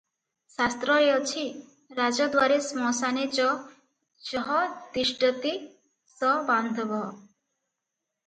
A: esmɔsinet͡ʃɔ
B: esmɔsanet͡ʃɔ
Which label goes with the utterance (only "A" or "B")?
B